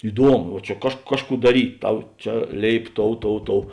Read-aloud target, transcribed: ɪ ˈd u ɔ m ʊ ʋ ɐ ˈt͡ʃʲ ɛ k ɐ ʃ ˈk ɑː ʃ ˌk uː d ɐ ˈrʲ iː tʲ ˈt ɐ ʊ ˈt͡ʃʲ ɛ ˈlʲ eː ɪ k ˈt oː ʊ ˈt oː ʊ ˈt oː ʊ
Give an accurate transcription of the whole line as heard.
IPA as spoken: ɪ ˈd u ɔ m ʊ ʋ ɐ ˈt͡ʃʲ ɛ k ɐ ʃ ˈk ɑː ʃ ˌk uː d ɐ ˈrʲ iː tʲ ˈt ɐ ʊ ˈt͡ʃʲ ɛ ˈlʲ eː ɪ p ˈt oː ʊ ˈt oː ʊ ˈt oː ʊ

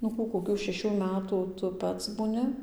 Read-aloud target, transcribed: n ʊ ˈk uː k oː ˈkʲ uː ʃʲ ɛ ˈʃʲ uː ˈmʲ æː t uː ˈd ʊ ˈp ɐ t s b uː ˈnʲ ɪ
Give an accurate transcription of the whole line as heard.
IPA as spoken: n ʊ ˈk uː k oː ˈkʲ uː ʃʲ ɛ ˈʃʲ uː ˈmʲ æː t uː ˈt ʊ ˈp ɐ t s b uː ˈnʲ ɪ

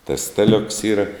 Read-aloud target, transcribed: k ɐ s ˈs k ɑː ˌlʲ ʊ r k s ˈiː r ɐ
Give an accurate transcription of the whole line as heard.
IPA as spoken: t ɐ s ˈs t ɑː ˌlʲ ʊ k s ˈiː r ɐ

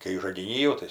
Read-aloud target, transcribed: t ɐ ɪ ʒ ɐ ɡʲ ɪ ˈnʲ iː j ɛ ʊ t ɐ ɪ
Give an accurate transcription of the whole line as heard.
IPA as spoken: k ɐ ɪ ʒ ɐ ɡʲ ɪ ˈnʲ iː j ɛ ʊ t ɐ ɪ

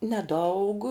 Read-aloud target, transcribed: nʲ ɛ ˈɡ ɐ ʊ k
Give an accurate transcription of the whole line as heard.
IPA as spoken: nʲ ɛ ˈd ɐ ʊ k

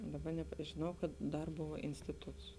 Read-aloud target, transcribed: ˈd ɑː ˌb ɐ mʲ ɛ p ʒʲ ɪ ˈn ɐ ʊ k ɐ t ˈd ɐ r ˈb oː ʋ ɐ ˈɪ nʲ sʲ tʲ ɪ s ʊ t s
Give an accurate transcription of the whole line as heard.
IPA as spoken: ˈd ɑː ˌb ɐ nʲ ɛ p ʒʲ ɪ ˈn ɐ ʊ k ɐ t ˈd ɐ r ˈb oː ʋ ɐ ˈɪ nʲ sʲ tʲ ɪ t ʊ t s

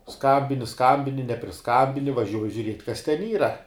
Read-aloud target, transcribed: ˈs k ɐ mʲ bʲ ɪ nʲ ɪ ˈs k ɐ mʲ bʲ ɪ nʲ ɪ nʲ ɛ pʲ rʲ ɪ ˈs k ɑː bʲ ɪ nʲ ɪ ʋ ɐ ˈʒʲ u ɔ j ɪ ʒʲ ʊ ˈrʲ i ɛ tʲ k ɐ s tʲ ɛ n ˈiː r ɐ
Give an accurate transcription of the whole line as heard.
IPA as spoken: ˈs k ɐ mʲ bʲ ɪ nʲ ɪ ˈs k ɐ mʲ bʲ ɪ nʲ ɪ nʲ ɛ pʲ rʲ ɪ ˈs k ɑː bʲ ɪ nʲ ɪ ʋ ɐ ˈʒʲ u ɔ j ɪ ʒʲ ʊ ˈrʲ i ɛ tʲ k ɐ s tʲ ɛ n ˈiː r ɐ

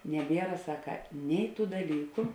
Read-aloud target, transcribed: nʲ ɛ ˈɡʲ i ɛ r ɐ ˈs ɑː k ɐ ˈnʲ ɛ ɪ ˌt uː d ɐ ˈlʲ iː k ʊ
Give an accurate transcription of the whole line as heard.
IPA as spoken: nʲ ɛ ˈbʲ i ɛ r ɐ ˈs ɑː k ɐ ˈnʲ ɛ ɪ ˌt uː d ɐ ˈlʲ iː k ʊ

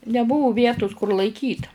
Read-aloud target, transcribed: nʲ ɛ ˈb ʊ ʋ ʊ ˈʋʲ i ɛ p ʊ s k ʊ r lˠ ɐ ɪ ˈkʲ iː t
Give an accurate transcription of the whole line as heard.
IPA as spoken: nʲ ɛ ˈb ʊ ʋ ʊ ˈʋʲ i ɛ t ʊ s k ʊ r lˠ ɐ ɪ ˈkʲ iː t

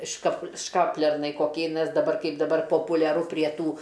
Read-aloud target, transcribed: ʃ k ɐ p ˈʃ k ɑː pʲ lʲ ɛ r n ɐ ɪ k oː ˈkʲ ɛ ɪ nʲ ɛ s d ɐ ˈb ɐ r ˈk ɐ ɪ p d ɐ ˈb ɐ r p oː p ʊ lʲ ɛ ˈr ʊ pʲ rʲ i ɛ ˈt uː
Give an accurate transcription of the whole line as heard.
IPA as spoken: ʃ k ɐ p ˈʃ k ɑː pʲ lʲ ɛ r n ɐ ɪ k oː ˈkʲ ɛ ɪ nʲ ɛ s d ɐ ˈb ɐ r ˈk ɐ ɪ p d ɐ ˈb ɐ r p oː p ʊ lʲ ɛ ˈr ʊ pʲ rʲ i ɛ ˈt uː

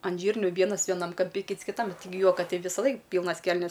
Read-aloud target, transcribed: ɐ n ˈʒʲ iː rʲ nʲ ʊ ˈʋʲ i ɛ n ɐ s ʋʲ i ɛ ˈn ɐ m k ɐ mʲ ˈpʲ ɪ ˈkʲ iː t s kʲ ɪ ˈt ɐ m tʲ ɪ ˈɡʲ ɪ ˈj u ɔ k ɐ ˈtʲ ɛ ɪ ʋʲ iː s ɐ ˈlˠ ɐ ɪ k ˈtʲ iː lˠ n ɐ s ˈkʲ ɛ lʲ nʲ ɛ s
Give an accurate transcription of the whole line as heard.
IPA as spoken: ɐ n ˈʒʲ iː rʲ nʲ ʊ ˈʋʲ i ɛ n ɐ s ʋʲ i ɛ ˈn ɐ m k ɐ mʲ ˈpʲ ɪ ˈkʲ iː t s kʲ ɪ ˈt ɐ m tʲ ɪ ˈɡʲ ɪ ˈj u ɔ k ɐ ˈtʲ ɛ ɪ ʋʲ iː s ɐ ˈlˠ ɐ ɪ k ˈpʲ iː lˠ n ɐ s ˈkʲ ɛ lʲ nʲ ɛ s

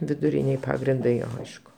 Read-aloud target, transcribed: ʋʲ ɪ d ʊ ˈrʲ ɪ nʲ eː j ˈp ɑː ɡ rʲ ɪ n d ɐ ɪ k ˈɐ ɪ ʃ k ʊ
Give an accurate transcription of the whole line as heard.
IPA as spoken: ʋʲ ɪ d ʊ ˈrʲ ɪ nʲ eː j ˈp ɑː ɡ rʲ ɪ n d ɐ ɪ ˈɐ ɪ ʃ k ʊ

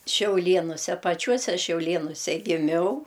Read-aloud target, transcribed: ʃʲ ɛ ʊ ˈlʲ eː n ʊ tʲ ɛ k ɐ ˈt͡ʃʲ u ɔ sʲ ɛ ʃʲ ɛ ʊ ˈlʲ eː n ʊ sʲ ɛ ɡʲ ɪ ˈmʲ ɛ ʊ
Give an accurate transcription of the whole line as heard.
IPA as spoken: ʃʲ ɛ ʊ ˈlʲ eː n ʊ sʲ ɛ p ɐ ˈt͡ʃʲ u ɔ sʲ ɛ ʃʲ ɛ ʊ ˈlʲ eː n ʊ sʲ ɛ ɡʲ ɪ ˈmʲ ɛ ʊ

